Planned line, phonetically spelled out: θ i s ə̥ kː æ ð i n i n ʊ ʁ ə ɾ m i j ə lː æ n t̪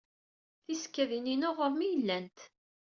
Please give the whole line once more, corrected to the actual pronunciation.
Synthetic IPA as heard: θ i s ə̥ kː æ ð i n i n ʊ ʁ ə ɾ m i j ə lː æ n t̪

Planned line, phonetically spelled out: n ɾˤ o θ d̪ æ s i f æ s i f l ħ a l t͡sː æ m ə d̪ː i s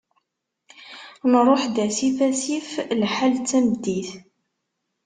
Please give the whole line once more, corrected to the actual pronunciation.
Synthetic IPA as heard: n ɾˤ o ħ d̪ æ s i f æ s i f l ħ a l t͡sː æ m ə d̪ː i θ

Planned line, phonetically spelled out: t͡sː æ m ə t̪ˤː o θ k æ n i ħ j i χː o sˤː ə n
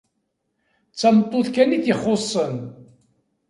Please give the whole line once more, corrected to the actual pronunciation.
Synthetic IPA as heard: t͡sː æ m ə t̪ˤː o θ k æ n i θ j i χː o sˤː ə n

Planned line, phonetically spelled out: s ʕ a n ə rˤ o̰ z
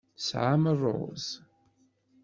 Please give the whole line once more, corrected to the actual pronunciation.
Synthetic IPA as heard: s ʕ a m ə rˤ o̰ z

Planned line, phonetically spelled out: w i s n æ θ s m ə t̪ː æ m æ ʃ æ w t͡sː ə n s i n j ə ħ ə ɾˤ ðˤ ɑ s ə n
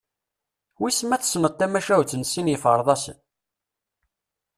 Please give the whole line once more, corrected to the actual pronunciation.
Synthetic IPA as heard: w i s m æ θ s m ə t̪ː æ m æ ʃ æ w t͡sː ə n s i n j ə f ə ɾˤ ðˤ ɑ s ə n

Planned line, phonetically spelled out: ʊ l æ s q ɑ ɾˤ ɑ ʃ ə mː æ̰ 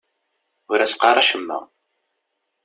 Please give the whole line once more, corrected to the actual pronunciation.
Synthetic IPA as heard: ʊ ɾ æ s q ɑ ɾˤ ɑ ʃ ə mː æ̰

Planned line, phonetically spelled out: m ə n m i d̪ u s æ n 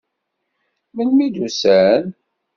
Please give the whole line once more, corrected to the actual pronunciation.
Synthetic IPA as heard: m ə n m i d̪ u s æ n

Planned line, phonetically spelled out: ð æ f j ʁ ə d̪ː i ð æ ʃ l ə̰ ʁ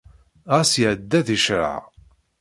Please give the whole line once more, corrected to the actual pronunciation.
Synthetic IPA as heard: ʁ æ s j ʕ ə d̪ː æ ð i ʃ ɾ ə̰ ʕ

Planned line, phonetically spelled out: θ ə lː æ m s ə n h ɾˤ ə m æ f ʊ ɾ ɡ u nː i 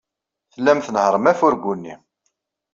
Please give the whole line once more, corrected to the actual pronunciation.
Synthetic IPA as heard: θ ə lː æ m θ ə n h ɾˤ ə m æ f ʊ ɾ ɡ u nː i

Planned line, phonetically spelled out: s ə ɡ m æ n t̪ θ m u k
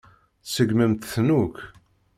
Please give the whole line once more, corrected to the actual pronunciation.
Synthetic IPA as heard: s ə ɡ m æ m t̪ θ n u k

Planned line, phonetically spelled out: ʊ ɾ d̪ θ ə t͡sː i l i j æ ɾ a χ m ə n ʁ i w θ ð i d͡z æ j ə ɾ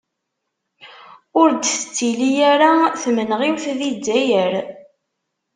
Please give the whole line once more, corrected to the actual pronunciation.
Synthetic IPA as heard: ʊ ɾ d̪ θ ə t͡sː i l i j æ ɾ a θ m ə n ʁ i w θ ð i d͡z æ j ə ɾ

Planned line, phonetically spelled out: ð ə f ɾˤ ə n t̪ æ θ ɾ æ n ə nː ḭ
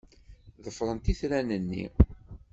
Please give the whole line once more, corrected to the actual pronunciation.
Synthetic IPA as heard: ð ə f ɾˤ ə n t̪ i θ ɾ æ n ə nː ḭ

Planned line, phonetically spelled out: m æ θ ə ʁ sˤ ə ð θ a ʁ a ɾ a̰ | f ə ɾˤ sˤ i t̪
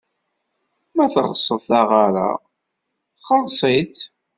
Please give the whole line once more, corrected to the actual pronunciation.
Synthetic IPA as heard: m æ θ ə ʁ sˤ ə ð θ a ʁ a ɾ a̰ | χ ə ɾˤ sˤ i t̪

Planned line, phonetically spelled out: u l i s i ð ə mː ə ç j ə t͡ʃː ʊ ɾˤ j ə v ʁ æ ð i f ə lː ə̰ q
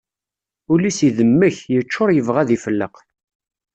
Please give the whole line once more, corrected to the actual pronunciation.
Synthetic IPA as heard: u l i s i ð ə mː ə ç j ə t͡ʃː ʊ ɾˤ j ə v ʁ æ ð i f ə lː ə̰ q

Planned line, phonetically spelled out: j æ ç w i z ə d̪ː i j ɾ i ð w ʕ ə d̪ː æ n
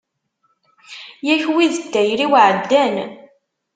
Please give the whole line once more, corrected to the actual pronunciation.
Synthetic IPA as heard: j æ ç w i ð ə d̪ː æ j ɾ i w ʕ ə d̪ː æ n

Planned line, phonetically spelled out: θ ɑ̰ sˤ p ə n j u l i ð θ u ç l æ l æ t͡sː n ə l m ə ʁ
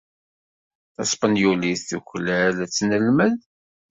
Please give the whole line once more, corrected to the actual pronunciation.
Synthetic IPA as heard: θ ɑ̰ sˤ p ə n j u l i θ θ u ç l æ l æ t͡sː n ə l m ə ð

